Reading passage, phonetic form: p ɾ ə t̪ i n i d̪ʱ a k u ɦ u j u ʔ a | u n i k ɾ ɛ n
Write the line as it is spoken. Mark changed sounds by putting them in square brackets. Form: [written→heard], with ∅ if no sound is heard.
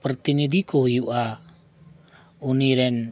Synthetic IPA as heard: p ɾ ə t̪ i n i d̪ʱ [a→i] k [u→ɔ] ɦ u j u ʔ a | u n i [k→∅] ɾ ɛ n